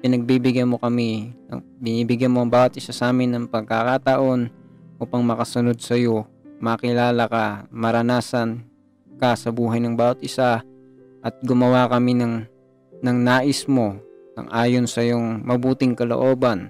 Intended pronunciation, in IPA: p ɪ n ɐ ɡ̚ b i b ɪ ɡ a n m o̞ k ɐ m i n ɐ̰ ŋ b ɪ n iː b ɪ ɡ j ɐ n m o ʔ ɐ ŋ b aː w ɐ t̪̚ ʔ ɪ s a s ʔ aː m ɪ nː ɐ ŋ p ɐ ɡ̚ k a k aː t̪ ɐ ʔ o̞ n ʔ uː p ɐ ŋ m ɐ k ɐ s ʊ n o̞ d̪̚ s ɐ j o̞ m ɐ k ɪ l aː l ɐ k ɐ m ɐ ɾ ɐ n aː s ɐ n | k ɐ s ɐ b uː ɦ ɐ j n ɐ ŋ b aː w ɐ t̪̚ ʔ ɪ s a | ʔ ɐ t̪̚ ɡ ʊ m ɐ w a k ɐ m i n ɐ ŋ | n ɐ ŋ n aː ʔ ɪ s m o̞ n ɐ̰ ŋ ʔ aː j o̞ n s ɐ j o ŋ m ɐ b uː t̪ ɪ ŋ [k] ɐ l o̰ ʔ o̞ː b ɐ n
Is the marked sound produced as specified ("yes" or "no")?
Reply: yes